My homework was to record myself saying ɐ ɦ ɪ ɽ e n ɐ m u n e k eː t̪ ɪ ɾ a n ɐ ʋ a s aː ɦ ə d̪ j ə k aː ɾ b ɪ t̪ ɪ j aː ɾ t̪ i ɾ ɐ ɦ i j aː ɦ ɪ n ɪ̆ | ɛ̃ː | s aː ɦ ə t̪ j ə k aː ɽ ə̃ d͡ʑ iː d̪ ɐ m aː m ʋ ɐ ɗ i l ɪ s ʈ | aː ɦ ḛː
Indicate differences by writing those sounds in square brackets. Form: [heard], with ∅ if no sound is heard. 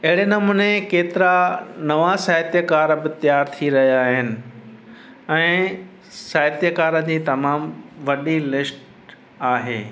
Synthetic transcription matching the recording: ɐ ɦ ɪ ɽ e n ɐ m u n e k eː t̪ ɪ ɾ a n ɐ ʋ a s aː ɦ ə [t̪] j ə k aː ɾ b ɪ t̪ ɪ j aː ɾ [t̪ʰ] i ɾ ɐ ɦ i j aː ɦ ɪ n ɪ̆ | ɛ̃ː | s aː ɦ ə t̪ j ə k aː [ɾ] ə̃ d͡ʑ iː [t̪] ɐ m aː m ʋ ɐ ɗ i l ɪ s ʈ | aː ɦ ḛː